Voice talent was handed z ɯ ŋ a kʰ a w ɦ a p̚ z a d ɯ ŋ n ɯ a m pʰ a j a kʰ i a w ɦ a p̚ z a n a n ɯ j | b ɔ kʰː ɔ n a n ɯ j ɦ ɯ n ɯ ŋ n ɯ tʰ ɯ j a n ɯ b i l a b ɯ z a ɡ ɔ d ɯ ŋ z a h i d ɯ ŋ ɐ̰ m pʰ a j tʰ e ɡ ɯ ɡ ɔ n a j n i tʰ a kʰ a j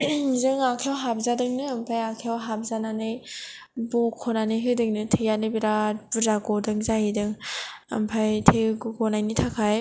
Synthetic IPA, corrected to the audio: z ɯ ŋ a kʰ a w ɦ a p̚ z a d ɯ ŋ n ɯ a m pʰ a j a kʰ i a w ɦ a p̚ z a n a n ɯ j | b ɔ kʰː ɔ n a n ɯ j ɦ ɯ d ɯ ŋ n ɯ tʰ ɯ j a n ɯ b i ɾ a b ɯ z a ɡ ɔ d ɯ ŋ z a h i d ɯ ŋ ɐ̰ m pʰ a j tʰ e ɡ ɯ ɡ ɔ n a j n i tʰ a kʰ a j